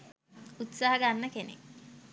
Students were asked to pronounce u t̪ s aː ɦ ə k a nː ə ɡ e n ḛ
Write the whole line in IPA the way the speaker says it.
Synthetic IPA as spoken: u t̪ s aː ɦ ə ɡ a nː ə k e n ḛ